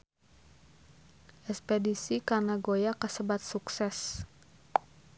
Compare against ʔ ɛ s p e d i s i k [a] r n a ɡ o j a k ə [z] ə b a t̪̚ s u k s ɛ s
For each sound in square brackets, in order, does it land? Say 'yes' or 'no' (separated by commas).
yes, no